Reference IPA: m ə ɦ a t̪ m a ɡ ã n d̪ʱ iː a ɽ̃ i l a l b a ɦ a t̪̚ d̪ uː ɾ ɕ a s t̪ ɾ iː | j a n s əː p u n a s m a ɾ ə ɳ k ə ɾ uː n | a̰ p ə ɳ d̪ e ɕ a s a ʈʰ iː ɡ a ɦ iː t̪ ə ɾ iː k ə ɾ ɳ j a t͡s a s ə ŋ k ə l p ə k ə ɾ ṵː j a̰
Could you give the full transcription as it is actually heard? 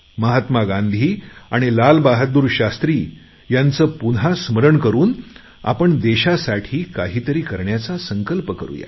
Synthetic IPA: m ə ɦ a t̪ m a ɡ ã n d̪ʱ iː a ɽ̃ i l a l b a ɦ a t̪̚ d̪ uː ɾ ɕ a s t̪ ɾ iː | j a n t͡s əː p u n a s m ə ɾ ə ɳ k ə ɾ uː n | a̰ p ə ɳ d̪ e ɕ a s a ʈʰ iː k a ɦ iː t̪ ə ɾ iː k ə ɾ ɳ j a t͡s a s ə ŋ k ə l p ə k ə ɾ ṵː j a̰

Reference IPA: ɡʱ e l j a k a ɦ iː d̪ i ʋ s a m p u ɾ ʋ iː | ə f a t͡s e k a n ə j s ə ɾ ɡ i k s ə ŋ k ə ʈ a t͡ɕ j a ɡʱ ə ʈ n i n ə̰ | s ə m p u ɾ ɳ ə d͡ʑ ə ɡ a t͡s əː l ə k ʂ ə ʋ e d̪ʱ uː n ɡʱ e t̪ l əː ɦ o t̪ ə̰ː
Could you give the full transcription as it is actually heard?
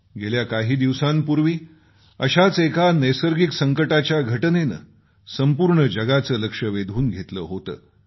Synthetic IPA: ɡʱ e l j a k a ɦ iː d̪ i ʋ s a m p u ɾ ʋ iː | ə ɕ a t͡s e k a n ə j s ə ɾ ɡ i k s ə ŋ k ə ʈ a t͡ɕ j a ɡʱ ə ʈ n e n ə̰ | s ə m p u ɾ ɳ ə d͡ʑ ə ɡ a t͡s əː l ə k ʂ ə ʋ e d̪ʱ uː n ɡʱ e t̪ l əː ɦ o t̪ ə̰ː

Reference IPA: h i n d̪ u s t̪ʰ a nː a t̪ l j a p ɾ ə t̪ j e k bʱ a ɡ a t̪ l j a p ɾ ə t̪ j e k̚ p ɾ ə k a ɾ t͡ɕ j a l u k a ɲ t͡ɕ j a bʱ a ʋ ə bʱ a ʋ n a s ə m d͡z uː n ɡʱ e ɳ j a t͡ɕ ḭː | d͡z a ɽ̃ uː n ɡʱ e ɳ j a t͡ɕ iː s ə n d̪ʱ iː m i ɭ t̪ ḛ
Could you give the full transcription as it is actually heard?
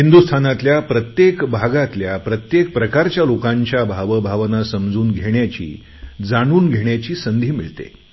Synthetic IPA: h i n d̪ u s t̪ʰ a n a t̪ l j a p ɾ ə t̪ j e k bʱ a ɡ a t̪ l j a p ɾ ə t̪ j e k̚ p ɾ ə k a ɾ t͡ɕ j a l o k a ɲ t͡ɕ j a bʱ a ʋ ə bʱ a ʋ n a s ə m d͡z uː n ɡʱ e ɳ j a t͡ɕ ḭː | d͡z a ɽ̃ uː n ɡʱ e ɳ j a t͡ɕ iː s ə n d̪ʱ iː m i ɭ t̪ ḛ

